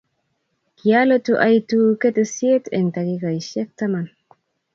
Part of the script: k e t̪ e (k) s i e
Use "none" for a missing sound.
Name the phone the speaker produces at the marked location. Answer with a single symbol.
none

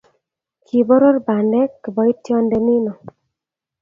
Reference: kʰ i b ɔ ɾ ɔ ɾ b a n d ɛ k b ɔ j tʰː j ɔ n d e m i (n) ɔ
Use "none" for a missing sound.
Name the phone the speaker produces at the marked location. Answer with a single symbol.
n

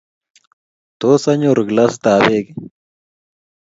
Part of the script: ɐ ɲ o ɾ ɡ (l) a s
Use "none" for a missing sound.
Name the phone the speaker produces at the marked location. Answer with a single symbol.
l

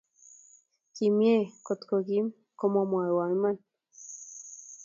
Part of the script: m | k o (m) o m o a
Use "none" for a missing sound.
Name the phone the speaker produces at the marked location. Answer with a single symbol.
m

